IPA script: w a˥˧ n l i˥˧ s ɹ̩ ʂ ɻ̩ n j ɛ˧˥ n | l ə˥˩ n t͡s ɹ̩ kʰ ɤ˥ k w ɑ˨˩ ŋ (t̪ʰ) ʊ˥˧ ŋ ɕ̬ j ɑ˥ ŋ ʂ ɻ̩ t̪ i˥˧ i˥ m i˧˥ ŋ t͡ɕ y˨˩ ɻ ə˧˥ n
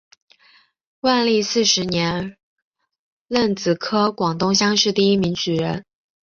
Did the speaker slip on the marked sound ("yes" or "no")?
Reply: yes